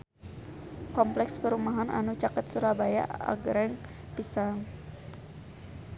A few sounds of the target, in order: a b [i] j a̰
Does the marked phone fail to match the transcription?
yes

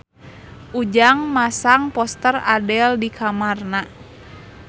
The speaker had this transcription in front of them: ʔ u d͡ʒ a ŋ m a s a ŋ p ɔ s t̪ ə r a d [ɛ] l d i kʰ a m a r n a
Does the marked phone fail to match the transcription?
no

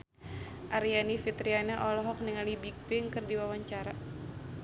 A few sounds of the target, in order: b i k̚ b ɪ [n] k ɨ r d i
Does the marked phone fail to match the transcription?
yes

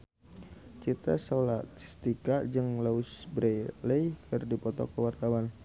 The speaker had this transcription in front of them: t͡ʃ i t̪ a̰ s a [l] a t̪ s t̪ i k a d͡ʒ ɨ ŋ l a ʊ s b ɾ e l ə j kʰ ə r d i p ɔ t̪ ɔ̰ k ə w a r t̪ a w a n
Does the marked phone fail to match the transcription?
no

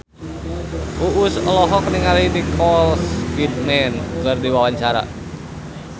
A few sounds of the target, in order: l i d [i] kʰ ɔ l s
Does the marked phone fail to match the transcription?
no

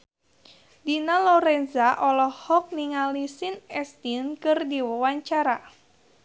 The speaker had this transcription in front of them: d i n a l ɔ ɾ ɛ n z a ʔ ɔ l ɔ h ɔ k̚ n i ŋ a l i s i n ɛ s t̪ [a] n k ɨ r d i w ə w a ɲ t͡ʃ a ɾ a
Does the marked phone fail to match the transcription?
yes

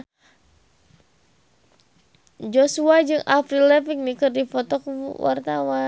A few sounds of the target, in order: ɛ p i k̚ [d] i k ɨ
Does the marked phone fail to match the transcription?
yes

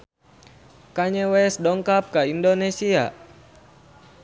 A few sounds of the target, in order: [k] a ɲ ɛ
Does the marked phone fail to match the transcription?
no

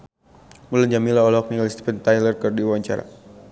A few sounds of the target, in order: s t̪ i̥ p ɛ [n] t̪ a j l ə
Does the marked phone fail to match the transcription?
no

